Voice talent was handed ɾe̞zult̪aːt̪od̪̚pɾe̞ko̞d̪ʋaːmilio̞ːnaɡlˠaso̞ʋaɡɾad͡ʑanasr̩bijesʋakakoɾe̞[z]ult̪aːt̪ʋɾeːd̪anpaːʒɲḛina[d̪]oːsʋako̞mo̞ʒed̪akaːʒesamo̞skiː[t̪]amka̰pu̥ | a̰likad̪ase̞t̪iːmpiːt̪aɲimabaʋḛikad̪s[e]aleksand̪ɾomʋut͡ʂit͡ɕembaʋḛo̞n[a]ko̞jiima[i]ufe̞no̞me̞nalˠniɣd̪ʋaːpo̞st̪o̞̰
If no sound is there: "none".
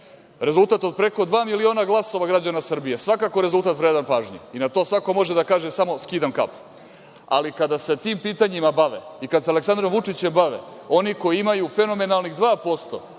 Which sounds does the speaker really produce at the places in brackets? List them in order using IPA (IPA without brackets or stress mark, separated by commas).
z, t̪, d̪, e, i, j